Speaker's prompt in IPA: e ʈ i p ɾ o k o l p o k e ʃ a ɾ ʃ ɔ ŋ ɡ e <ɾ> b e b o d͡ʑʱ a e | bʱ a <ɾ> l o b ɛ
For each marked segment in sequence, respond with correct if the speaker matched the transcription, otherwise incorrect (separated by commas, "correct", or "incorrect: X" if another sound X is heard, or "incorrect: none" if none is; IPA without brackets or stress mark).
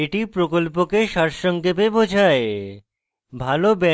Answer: incorrect: none, incorrect: none